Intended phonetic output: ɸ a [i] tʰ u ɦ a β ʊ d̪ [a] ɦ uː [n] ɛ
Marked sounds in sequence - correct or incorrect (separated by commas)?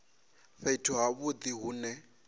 correct, incorrect, correct